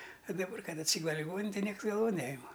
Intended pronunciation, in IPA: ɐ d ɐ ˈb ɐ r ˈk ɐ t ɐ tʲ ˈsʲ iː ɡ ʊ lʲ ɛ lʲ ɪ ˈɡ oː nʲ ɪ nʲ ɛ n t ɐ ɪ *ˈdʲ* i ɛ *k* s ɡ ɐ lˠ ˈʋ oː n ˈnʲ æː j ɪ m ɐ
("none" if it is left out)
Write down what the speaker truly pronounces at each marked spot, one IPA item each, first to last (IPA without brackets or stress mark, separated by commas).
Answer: nʲ, k